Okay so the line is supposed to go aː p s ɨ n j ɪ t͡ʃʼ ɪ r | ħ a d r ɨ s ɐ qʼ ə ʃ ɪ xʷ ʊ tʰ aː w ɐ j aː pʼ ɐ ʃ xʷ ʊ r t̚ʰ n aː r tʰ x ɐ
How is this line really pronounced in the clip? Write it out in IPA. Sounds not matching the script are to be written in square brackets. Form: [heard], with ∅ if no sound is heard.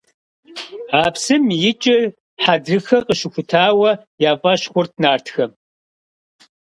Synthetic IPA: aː p s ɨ [m] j ɪ t͡ʃʼ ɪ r | ħ a d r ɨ [x] ɐ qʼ ə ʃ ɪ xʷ ʊ tʰ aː w ɐ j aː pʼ ɐ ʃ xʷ ʊ r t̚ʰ n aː r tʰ x ɐ